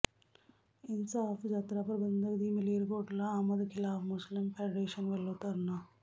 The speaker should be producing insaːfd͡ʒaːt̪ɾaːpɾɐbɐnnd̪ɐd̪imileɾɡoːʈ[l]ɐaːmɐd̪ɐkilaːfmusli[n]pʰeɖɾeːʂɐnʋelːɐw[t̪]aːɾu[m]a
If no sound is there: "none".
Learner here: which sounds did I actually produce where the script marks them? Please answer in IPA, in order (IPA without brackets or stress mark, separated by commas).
l, m, t̪, n